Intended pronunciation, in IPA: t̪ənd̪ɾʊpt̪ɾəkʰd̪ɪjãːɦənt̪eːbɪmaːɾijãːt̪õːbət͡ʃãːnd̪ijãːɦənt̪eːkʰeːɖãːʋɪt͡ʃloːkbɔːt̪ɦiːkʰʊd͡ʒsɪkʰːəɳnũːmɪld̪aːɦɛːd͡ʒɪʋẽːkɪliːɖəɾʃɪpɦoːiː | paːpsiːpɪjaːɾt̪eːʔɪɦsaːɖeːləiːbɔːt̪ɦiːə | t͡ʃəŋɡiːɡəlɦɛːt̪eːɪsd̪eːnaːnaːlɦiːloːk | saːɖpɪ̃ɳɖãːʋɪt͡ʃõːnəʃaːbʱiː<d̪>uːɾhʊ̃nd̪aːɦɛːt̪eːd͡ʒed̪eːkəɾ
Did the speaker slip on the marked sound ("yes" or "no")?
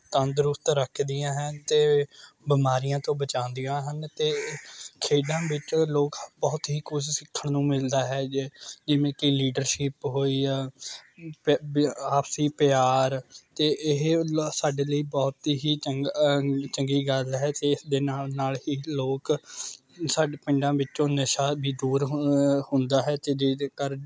no